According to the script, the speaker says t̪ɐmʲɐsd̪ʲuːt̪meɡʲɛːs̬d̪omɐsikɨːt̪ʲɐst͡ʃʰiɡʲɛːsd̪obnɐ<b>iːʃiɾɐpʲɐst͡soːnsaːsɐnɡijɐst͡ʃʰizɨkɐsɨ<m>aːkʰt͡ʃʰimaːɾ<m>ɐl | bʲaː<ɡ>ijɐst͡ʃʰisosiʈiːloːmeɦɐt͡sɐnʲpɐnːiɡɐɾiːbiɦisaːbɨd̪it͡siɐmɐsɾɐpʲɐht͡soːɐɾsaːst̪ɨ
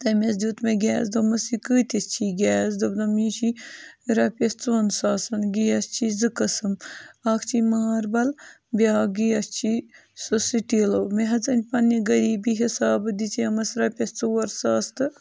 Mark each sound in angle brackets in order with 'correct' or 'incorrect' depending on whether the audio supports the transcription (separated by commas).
incorrect, correct, incorrect, correct